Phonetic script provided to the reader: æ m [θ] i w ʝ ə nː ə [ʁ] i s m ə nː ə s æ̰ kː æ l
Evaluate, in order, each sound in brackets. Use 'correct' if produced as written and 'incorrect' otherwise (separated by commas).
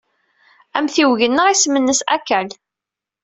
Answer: correct, correct